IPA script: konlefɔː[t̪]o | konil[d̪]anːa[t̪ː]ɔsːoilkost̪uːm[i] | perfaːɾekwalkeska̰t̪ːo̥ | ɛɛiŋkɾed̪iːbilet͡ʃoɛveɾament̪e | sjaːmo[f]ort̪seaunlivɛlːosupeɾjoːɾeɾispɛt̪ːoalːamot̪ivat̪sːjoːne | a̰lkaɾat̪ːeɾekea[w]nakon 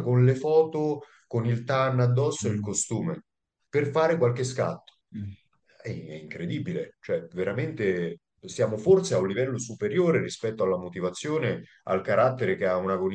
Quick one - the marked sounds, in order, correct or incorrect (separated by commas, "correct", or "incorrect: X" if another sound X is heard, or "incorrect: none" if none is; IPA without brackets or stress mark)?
correct, incorrect: t̪, incorrect: d̪ː, incorrect: e, correct, incorrect: u